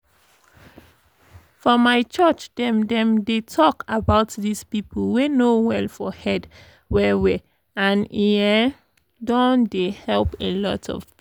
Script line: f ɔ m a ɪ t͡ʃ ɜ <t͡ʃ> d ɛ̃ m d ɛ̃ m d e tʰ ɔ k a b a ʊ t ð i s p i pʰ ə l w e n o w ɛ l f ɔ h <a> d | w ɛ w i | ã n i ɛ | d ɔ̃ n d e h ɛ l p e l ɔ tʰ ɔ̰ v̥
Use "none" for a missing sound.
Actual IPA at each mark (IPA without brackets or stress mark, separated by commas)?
t͡ʃ, ɛ